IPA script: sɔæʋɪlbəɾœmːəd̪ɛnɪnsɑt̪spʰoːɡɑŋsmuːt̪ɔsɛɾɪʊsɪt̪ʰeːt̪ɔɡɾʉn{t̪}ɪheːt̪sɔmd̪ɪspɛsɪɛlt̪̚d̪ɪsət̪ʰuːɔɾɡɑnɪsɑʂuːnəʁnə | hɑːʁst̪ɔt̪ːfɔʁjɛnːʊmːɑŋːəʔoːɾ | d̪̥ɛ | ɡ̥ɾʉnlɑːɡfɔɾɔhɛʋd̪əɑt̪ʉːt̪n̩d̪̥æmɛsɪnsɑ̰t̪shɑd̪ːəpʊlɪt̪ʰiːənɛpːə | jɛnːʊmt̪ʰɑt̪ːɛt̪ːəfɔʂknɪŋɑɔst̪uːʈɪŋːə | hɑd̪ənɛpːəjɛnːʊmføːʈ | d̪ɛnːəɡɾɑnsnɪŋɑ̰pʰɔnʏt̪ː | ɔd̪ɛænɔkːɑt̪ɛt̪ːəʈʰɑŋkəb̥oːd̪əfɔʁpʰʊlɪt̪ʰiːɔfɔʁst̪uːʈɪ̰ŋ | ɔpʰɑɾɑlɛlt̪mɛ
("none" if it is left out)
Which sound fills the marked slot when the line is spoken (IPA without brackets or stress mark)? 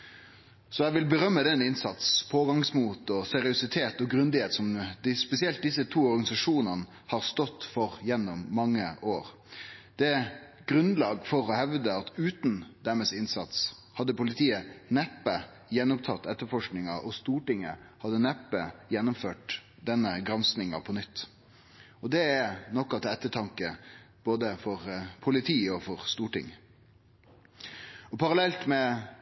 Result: d̪